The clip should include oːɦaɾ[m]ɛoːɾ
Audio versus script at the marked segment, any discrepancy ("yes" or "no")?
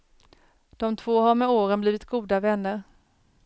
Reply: no